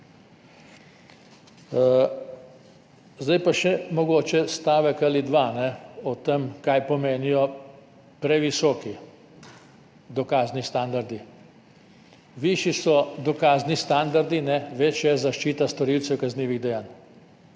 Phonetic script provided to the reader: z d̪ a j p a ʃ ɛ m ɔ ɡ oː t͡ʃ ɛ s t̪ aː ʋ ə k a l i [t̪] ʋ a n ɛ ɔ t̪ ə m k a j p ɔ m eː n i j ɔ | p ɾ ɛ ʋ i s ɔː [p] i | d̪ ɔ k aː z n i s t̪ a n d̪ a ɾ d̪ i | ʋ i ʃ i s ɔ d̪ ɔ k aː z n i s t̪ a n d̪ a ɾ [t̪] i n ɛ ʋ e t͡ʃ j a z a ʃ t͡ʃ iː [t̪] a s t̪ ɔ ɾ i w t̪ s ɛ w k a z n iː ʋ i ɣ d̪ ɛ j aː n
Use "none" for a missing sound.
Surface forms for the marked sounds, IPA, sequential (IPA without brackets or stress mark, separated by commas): d̪, k, d̪, t̪